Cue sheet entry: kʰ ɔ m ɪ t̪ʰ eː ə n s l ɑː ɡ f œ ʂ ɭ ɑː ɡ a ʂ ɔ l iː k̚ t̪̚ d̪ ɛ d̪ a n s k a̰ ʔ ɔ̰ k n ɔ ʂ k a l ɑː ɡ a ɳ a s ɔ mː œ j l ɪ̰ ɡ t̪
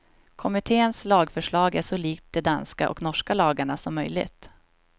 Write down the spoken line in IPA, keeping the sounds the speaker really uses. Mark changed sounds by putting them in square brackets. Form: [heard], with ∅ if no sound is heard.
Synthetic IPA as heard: kʰ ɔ m ɪ t̪ʰ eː ə n s l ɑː ɡ f œ ʂ ɭ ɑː ɡ [æ] ʂ ɔ l iː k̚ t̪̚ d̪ ɛ d̪ a n s k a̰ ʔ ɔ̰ k n ɔ ʂ k a l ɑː ɡ a ɳ a s ɔ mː œ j l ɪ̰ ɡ t̪